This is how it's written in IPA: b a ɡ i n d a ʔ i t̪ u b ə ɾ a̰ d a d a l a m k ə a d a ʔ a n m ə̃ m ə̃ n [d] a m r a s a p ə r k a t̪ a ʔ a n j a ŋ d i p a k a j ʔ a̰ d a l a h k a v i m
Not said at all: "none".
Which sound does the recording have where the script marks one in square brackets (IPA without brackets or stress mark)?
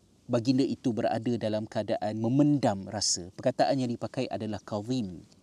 d